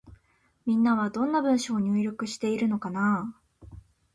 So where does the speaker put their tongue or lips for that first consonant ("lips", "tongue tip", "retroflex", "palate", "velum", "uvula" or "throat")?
lips